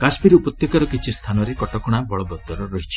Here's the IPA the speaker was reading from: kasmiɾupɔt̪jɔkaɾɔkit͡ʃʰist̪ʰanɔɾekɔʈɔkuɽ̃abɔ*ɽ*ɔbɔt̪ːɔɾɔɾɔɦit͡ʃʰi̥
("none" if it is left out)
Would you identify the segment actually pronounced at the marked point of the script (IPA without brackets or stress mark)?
ɭ